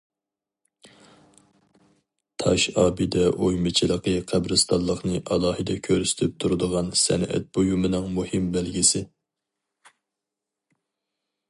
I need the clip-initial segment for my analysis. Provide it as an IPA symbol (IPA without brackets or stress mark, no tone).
t̪ʰ